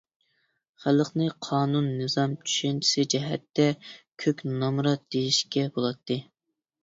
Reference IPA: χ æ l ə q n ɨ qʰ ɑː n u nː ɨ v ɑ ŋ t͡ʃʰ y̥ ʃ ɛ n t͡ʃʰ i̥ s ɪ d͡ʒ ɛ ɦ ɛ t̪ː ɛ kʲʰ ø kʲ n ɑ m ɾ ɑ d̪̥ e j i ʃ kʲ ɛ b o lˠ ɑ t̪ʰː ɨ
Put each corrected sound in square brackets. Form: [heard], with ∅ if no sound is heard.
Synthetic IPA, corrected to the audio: χ æ l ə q n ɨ qʰ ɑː n u nː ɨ [z] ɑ [m] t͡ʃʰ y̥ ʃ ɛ n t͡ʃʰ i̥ s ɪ d͡ʒ ɛ ɦ ɛ t̪ː ɛ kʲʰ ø kʲ n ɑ m ɾ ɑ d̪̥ e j i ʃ kʲ ɛ b o lˠ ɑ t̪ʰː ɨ